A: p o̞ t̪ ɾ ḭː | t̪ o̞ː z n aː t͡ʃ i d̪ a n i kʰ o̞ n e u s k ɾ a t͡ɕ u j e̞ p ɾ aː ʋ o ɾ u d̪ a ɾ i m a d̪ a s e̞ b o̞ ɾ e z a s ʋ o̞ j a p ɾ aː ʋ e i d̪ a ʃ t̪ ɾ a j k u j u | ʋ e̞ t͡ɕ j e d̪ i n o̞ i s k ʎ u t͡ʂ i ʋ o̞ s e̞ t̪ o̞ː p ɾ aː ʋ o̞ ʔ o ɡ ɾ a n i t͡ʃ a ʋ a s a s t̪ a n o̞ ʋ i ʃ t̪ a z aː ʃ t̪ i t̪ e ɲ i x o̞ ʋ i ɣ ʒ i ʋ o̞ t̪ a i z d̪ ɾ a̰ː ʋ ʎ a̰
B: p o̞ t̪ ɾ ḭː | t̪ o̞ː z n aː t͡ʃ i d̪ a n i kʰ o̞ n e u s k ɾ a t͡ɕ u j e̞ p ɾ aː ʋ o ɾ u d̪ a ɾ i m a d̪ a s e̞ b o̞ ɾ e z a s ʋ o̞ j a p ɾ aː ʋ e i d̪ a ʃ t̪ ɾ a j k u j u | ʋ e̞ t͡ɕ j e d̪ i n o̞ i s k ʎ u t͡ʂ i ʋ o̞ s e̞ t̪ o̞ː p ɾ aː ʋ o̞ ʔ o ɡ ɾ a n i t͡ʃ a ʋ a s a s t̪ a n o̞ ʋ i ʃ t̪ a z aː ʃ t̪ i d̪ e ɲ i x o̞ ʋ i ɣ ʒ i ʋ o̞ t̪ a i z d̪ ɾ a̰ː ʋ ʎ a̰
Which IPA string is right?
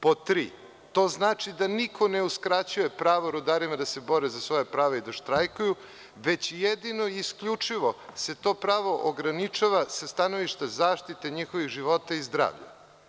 A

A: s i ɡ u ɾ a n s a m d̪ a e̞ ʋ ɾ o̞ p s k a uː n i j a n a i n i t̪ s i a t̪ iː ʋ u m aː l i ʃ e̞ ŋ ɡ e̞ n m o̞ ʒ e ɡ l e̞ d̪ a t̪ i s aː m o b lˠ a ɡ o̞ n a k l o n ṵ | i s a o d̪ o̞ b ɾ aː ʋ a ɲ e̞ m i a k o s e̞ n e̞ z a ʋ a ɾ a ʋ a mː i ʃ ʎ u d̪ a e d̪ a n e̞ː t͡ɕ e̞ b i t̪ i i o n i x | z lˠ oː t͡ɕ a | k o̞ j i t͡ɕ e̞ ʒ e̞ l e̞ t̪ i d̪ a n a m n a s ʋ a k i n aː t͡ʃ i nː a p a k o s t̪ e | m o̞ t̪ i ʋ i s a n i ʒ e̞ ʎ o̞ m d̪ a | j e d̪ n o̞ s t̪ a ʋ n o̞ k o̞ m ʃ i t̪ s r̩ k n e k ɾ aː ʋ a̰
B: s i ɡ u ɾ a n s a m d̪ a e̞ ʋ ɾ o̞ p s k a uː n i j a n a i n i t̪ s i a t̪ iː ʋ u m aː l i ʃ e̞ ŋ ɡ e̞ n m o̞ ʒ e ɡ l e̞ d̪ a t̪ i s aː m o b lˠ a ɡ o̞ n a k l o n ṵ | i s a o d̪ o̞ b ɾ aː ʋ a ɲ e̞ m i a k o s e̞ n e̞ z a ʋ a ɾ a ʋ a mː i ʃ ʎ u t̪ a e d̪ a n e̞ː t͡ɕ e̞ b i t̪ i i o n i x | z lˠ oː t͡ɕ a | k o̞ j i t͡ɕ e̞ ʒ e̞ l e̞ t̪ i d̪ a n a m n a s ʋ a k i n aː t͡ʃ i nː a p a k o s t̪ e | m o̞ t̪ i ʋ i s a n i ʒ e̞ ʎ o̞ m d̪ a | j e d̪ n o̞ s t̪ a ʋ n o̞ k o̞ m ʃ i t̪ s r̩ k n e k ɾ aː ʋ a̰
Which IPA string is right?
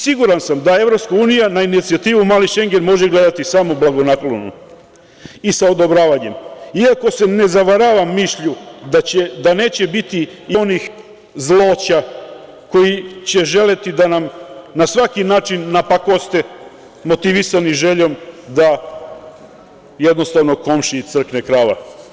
A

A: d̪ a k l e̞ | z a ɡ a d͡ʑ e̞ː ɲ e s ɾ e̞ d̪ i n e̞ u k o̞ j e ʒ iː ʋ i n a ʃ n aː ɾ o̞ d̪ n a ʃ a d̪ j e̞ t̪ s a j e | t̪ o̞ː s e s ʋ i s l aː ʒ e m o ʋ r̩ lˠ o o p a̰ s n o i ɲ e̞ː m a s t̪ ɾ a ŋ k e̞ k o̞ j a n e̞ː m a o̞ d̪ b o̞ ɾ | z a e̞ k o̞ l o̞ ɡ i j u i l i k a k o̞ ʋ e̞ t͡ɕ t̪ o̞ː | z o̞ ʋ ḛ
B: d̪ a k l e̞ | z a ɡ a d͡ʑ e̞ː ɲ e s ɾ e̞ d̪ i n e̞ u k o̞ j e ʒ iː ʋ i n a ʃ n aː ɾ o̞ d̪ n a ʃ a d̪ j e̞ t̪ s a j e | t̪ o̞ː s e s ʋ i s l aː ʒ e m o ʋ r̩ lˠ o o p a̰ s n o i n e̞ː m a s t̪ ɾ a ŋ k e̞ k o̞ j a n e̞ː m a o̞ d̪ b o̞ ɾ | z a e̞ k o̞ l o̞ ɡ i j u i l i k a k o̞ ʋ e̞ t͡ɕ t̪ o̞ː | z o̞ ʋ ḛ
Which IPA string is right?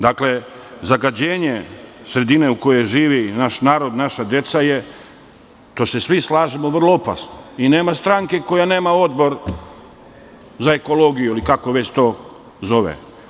B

